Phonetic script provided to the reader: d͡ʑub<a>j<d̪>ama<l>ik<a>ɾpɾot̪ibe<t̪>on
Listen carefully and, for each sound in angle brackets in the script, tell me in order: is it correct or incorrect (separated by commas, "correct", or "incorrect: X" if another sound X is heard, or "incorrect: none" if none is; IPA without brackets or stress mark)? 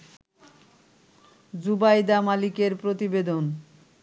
correct, correct, correct, incorrect: e, incorrect: d̪